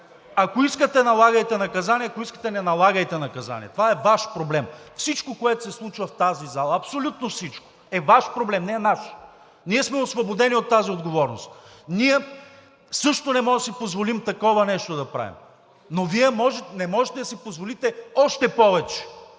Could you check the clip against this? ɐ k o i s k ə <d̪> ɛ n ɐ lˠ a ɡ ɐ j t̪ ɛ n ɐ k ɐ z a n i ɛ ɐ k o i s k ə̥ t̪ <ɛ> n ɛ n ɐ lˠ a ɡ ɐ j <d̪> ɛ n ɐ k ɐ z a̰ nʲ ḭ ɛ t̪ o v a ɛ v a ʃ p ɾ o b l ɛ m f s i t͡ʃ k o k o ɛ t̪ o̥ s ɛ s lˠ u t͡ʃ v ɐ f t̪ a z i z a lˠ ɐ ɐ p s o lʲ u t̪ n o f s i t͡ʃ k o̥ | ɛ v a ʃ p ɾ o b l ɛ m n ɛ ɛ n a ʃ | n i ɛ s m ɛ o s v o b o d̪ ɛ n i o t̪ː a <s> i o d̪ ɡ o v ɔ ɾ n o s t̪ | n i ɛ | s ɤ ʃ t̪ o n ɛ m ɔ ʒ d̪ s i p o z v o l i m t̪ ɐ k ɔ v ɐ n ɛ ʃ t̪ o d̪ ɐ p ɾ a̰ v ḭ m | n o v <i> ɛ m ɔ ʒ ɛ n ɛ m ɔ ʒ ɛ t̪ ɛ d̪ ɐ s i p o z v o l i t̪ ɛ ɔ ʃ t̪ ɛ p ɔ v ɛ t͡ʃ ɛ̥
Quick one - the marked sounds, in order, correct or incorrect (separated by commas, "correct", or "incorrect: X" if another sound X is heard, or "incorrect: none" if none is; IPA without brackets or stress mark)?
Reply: incorrect: t̪, correct, incorrect: t̪, incorrect: z, correct